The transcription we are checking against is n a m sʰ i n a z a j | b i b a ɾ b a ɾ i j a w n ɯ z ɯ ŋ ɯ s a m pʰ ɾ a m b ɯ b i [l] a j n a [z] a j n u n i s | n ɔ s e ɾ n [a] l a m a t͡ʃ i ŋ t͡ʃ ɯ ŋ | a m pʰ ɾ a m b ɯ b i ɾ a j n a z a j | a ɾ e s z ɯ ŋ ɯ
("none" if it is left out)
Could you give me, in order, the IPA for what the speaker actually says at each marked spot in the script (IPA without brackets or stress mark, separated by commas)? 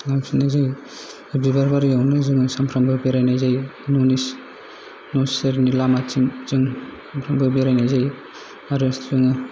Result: ɾ, z, i